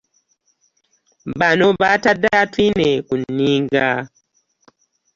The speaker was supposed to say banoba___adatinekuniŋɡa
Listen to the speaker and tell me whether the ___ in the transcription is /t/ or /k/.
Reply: t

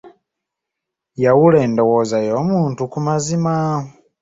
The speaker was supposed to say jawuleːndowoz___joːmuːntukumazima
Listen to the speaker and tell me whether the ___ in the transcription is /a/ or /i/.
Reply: a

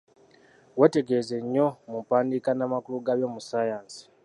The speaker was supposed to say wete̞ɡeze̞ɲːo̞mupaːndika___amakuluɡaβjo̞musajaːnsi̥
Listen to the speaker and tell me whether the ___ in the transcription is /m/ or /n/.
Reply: n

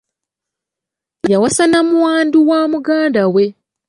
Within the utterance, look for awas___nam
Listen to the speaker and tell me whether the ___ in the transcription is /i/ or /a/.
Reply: a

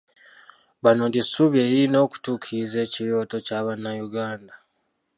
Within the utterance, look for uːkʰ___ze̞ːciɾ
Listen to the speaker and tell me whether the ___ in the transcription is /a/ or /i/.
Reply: i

